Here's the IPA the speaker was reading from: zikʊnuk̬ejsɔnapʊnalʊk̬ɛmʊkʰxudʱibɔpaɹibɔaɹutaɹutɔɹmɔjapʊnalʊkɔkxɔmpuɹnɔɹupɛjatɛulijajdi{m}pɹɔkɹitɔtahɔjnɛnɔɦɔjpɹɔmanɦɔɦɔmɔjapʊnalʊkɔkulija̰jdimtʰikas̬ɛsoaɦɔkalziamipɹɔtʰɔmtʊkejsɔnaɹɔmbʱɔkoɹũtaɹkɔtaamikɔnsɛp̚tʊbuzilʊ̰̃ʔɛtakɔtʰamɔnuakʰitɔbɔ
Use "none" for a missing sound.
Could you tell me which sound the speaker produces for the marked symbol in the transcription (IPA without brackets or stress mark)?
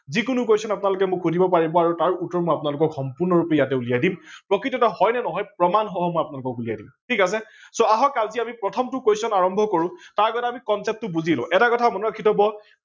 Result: m